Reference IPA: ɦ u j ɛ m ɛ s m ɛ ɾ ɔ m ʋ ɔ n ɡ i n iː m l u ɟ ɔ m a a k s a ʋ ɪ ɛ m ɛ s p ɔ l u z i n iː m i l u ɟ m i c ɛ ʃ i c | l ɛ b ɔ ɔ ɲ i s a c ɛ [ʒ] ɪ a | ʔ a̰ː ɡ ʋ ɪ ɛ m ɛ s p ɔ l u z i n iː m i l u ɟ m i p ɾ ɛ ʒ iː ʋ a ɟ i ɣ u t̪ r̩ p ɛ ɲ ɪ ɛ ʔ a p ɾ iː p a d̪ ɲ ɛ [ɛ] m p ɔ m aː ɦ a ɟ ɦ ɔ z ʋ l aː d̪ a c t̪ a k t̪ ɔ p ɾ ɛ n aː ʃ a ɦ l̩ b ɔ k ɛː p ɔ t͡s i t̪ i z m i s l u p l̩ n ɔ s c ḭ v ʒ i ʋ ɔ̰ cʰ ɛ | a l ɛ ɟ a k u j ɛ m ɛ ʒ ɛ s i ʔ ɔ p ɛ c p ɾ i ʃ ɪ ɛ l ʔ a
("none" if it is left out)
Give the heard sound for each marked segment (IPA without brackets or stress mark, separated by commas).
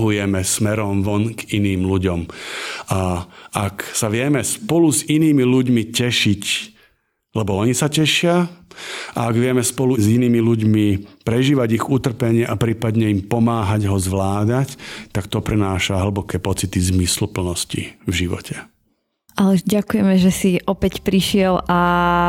ʃ, i